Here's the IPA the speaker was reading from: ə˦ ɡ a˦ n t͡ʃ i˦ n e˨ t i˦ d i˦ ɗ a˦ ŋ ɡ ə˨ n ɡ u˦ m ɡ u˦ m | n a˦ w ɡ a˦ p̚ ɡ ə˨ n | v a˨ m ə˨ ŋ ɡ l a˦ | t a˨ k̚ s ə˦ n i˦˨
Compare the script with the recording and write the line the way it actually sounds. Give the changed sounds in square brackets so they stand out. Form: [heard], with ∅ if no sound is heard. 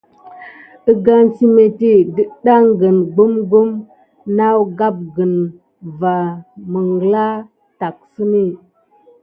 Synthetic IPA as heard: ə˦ ɡ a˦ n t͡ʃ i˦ [m] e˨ t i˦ d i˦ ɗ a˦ ŋ ɡ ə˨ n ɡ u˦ m ɡ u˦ m | n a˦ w ɡ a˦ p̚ ɡ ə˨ n | v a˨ m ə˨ ŋ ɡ l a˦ | t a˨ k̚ s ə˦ n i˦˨